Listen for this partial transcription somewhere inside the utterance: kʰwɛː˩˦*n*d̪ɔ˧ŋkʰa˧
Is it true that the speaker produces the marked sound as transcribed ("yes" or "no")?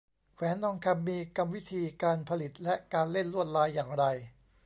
yes